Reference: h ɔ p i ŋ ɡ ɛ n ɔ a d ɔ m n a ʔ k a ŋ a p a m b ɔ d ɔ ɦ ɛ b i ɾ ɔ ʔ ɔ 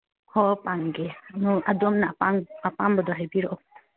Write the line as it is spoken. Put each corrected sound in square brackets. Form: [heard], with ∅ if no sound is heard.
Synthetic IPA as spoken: h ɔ p [a] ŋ ɡ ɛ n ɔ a d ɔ m n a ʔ [p] a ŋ a p a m b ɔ d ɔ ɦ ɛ b i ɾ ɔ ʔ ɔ